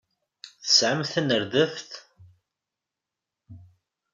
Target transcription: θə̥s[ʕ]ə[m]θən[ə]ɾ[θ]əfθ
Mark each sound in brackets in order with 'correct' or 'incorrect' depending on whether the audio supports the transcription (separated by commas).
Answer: correct, correct, correct, incorrect